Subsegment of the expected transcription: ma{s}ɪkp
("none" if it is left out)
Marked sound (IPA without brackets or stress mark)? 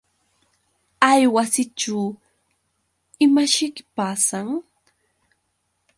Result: ʃ